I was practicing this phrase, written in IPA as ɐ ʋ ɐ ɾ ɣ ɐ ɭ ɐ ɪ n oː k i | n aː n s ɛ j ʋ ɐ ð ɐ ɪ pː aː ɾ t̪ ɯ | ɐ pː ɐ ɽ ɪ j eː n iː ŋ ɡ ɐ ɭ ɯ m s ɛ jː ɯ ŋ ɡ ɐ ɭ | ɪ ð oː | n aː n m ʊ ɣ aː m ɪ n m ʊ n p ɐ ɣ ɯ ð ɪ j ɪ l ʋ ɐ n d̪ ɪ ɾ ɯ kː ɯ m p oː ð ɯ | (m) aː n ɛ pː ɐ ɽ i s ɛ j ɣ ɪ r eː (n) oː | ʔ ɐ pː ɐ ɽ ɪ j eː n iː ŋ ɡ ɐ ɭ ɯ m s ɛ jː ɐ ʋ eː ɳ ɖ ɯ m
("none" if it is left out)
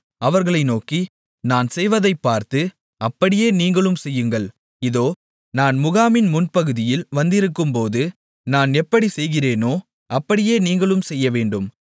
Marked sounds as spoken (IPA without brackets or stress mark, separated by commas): n, n